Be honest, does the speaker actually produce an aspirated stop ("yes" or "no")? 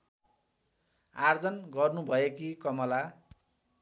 no